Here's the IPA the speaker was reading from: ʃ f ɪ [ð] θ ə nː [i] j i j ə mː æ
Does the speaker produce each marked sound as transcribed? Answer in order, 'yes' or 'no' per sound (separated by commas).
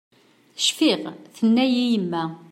no, no